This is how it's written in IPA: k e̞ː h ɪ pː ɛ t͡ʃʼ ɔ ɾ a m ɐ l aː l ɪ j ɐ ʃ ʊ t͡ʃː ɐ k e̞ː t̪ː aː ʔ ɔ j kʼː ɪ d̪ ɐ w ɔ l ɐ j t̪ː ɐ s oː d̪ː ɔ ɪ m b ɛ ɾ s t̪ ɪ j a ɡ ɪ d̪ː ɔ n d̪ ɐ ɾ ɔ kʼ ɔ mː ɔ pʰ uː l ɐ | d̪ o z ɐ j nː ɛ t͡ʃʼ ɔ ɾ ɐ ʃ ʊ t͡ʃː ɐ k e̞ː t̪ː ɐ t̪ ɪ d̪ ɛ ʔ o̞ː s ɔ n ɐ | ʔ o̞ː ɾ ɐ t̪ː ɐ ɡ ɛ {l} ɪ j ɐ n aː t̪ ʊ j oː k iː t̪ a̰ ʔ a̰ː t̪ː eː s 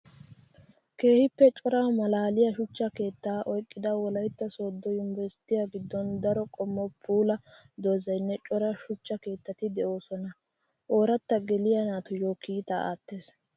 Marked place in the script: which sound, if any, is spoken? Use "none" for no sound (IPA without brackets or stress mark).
l